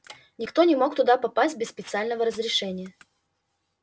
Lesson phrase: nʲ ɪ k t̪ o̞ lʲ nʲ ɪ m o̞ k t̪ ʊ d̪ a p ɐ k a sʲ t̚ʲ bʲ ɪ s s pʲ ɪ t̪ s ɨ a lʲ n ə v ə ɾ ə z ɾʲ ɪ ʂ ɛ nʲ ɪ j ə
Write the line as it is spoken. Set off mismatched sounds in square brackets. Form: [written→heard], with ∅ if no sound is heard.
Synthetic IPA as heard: nʲ ɪ k t̪ o̞ [lʲ→∅] nʲ ɪ m o̞ k t̪ ʊ d̪ a p ɐ [k→p] a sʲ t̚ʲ bʲ ɪ s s pʲ ɪ t̪ s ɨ a lʲ n ə v ə ɾ ə z ɾʲ ɪ ʂ ɛ nʲ ɪ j ə